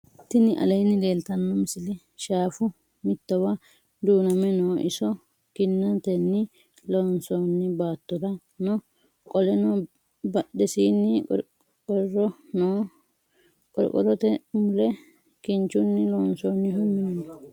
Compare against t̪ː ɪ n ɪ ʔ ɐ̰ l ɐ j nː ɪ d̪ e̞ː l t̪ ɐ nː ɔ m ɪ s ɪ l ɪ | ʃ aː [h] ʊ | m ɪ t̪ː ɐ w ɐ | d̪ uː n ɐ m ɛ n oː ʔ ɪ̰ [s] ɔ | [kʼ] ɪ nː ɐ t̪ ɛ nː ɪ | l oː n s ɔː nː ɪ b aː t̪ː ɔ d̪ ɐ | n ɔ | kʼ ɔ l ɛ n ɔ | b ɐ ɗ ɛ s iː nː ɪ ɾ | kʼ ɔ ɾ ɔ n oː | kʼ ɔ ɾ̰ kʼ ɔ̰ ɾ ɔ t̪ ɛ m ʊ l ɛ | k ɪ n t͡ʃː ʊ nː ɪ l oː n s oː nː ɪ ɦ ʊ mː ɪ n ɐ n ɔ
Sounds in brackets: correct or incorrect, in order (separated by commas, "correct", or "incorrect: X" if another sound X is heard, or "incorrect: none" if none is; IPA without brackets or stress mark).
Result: incorrect: f, correct, incorrect: k